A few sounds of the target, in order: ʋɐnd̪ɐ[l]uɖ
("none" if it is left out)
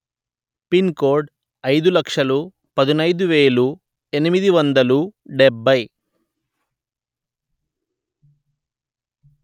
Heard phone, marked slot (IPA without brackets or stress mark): l